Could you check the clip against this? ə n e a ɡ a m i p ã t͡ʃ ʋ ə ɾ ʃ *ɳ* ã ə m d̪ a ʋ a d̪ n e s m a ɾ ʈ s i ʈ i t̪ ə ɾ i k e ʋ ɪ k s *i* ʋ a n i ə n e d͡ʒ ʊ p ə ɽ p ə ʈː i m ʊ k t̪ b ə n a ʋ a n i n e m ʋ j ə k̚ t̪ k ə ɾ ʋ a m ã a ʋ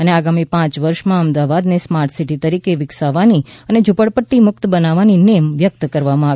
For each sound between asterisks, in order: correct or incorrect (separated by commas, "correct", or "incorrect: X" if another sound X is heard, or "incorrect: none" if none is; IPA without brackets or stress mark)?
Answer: incorrect: m, incorrect: a